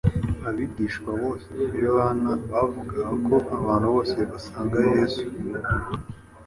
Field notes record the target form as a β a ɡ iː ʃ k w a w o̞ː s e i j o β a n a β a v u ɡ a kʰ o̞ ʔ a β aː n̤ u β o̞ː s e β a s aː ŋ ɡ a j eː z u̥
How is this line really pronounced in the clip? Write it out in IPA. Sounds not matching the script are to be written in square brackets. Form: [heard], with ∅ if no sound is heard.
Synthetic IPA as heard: a β [i] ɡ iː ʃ k w a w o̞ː s e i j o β a n a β a v u ɡ a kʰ o̞ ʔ a β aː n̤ u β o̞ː s e β a s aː ŋ ɡ a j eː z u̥